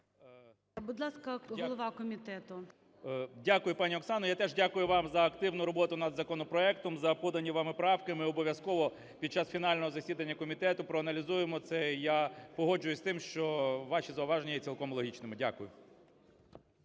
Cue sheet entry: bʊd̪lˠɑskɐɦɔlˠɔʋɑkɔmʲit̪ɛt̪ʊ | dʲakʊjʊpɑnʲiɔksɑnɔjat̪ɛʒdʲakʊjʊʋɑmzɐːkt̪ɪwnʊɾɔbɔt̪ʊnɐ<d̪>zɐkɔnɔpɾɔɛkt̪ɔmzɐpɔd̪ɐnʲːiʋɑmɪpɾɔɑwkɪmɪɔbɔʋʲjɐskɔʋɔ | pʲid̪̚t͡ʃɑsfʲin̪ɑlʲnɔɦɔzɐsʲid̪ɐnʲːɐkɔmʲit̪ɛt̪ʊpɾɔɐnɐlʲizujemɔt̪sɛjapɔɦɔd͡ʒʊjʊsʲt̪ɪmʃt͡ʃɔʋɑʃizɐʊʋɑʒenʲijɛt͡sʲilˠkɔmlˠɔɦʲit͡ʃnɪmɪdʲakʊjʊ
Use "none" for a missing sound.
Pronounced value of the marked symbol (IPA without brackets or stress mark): d̪